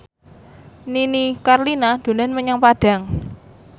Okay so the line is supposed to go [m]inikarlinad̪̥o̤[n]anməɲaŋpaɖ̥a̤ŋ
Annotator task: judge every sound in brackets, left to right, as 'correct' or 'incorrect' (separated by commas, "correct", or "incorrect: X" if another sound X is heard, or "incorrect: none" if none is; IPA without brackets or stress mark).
incorrect: n, correct